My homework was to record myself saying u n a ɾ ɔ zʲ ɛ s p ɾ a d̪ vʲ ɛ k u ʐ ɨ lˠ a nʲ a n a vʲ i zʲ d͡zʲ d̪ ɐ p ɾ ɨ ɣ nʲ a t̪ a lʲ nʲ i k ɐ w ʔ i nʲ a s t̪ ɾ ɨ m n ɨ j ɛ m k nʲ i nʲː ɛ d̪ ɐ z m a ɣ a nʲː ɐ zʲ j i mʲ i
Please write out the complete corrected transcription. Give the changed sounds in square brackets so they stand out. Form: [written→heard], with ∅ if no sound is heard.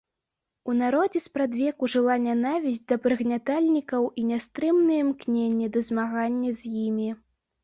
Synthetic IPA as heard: u n a ɾ ɔ [zʲ→d͡zʲ] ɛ s p ɾ a d̪ vʲ ɛ k u ʐ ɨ lˠ a nʲ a n a vʲ i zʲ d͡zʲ d̪ ɐ p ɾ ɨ ɣ nʲ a t̪ a lʲ nʲ i k ɐ w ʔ i nʲ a s t̪ ɾ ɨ m n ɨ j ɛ m k nʲ [i→e] nʲː ɛ d̪ ɐ z m a ɣ a nʲː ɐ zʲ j i mʲ i